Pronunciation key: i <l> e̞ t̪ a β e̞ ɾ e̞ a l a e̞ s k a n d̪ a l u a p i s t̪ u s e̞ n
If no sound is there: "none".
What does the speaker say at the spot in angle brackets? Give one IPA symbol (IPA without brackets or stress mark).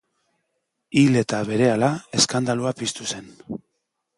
l